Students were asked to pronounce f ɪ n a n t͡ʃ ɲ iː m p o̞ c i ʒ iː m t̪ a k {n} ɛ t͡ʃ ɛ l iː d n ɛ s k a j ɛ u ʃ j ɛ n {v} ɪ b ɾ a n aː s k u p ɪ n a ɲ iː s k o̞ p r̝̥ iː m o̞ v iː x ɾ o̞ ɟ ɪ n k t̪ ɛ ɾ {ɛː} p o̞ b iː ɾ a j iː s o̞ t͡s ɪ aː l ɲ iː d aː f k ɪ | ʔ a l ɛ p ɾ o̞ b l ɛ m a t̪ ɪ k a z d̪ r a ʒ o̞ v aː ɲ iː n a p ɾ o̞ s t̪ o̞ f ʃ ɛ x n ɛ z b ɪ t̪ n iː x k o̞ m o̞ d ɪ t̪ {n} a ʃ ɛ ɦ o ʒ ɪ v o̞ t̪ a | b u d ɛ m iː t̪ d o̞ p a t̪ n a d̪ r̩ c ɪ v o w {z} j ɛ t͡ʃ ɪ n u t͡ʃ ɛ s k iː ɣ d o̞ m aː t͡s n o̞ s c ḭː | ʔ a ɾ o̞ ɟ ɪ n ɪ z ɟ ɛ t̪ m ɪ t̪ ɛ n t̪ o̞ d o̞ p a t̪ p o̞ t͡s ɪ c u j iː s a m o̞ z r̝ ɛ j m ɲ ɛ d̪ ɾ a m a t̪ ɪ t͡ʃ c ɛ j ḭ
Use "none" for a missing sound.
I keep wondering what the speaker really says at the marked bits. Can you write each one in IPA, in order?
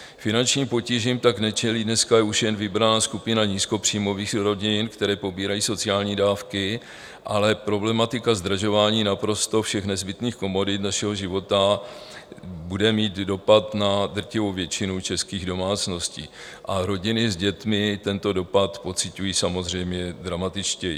n, v, ɛː, n, v

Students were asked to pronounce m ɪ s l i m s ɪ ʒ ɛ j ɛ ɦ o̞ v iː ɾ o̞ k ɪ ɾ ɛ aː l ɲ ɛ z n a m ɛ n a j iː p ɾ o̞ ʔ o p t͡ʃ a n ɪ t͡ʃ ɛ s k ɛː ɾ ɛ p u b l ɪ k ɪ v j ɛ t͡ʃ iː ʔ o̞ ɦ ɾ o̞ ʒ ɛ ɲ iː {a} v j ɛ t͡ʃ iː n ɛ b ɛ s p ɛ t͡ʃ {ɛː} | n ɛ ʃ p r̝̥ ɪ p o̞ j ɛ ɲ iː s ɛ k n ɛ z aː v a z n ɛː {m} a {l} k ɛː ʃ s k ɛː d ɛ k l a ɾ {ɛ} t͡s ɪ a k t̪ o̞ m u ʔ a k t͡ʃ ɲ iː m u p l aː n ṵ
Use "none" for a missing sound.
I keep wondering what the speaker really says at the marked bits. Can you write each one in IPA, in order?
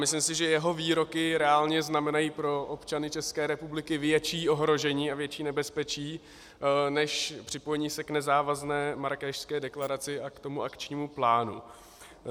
a, iː, m, ɾ, a

